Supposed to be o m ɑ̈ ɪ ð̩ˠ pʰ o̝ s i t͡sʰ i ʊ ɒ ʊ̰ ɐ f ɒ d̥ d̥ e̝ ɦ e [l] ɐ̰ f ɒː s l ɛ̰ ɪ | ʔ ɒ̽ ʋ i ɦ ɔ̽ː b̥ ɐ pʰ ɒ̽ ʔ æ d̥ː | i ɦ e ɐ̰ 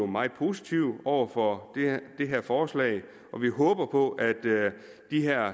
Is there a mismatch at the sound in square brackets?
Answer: yes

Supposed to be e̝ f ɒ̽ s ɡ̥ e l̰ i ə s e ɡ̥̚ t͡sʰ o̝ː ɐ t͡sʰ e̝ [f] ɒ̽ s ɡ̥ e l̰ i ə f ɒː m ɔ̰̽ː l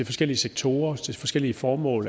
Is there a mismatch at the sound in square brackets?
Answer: no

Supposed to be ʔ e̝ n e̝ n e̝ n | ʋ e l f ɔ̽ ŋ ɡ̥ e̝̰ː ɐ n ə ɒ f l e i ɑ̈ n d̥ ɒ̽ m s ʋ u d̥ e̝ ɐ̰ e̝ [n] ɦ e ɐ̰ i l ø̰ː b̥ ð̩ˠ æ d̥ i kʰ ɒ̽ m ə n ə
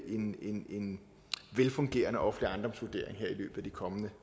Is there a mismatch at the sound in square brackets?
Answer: yes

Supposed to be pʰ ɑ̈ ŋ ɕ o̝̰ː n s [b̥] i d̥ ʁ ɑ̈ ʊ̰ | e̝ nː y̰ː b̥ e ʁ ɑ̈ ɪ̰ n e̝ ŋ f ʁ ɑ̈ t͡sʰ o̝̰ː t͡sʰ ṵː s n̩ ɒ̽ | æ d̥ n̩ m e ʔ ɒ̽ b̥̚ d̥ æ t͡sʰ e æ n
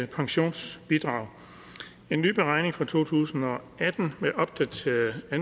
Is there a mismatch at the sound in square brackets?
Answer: no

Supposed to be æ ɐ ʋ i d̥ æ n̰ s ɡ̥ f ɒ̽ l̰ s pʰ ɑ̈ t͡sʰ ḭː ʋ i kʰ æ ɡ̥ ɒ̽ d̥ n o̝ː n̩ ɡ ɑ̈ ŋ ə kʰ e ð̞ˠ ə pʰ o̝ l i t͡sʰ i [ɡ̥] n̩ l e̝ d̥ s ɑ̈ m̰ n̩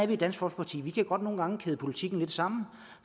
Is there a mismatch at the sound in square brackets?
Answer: no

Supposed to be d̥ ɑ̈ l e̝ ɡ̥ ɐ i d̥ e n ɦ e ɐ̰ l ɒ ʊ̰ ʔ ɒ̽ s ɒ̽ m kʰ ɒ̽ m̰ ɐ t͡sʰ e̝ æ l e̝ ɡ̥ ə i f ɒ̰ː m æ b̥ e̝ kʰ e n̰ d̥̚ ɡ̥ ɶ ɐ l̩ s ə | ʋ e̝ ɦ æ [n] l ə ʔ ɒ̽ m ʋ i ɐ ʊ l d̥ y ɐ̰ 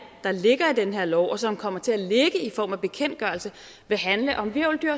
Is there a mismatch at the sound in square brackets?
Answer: no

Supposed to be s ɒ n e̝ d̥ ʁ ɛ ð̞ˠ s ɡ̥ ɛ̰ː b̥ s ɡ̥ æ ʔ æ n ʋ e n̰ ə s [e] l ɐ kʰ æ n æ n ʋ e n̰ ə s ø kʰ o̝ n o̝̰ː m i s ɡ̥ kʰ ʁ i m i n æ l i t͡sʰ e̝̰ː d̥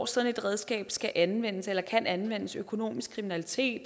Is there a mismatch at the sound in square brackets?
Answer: no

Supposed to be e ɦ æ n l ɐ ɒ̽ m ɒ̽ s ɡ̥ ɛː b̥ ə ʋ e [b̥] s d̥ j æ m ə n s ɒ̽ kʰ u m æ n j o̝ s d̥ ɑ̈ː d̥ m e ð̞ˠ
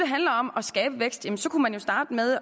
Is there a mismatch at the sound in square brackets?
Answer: yes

